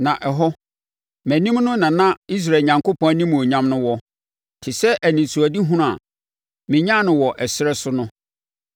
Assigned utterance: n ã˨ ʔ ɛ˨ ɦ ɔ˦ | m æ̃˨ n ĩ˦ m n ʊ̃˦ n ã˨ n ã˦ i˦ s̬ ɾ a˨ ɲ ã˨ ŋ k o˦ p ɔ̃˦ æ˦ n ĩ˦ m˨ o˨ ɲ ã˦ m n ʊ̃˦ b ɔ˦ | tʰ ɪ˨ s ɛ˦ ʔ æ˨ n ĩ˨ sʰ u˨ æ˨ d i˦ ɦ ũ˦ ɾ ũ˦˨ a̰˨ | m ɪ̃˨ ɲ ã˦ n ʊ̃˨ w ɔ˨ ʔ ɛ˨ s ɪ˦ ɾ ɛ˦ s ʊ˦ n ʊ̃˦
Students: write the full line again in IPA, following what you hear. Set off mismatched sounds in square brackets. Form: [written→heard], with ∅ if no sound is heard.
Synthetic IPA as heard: n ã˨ ʔ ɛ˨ ɦ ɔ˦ | m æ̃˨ n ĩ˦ m n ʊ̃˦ n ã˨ n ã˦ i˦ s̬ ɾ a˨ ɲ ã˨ ŋ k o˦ p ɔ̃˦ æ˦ n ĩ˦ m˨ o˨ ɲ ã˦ m n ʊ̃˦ [b→w] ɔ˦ | tʰ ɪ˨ s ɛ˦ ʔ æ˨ n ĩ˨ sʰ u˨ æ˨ d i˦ ɦ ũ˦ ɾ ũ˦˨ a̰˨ | m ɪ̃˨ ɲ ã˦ n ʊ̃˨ w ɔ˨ ʔ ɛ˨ s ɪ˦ ɾ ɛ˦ s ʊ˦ n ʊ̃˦